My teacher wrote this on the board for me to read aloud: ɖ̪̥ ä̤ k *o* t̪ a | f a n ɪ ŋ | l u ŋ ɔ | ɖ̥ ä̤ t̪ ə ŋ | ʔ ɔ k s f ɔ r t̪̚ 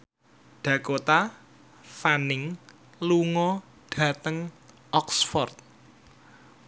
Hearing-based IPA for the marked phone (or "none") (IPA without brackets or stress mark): o